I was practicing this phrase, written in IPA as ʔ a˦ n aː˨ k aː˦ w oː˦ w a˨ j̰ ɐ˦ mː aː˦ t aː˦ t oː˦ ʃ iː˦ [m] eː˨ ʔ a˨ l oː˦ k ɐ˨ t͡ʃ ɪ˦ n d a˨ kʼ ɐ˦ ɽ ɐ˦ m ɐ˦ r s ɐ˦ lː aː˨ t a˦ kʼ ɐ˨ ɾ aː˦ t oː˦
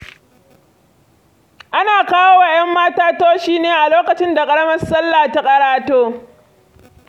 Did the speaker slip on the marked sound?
yes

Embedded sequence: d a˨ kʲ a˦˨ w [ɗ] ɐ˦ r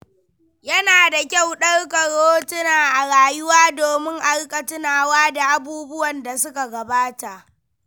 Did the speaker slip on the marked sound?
no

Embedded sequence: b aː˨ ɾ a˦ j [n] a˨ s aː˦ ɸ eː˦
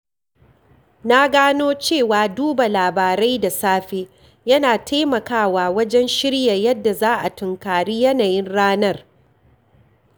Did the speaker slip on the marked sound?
yes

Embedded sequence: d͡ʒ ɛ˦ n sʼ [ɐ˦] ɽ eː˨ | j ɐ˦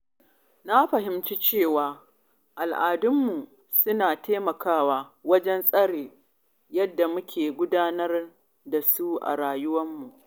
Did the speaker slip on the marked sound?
no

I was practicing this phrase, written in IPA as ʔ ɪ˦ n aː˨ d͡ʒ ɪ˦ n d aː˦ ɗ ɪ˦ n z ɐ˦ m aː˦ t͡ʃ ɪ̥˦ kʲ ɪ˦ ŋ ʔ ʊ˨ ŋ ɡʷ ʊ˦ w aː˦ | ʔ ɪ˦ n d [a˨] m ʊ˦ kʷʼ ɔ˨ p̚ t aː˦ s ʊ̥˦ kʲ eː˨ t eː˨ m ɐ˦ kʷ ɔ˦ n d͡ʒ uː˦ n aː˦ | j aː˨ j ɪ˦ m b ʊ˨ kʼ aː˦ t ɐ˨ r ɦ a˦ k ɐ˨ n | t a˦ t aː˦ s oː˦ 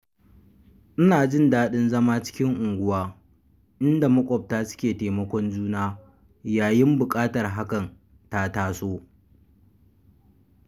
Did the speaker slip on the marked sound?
no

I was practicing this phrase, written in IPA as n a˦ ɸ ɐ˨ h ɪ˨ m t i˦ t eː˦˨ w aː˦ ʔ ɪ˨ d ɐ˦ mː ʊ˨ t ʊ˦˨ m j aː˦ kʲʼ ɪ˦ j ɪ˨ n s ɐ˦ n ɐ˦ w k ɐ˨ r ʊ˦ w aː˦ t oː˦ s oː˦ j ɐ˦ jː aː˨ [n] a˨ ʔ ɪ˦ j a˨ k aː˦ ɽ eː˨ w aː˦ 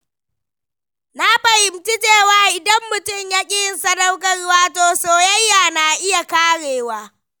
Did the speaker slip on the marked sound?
no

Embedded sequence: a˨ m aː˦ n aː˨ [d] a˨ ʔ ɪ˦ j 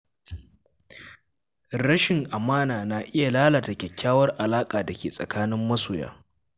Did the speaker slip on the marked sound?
yes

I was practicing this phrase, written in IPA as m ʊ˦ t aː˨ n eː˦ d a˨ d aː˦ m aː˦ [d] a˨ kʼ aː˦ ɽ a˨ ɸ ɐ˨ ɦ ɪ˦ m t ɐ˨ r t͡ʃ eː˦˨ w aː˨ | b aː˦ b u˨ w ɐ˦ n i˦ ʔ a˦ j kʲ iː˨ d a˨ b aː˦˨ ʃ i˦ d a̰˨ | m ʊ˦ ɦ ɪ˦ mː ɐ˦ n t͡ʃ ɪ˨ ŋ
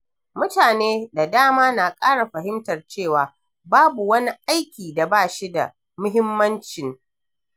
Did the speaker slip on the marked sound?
yes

